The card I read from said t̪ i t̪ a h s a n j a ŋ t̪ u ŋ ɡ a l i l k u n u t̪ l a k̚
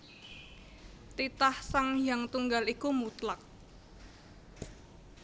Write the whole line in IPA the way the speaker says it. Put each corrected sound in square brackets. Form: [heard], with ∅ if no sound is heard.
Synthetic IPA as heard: t̪ i t̪ a h s a [ŋ] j a ŋ t̪ u ŋ ɡ a l i [∅] k u [m] u t̪ l a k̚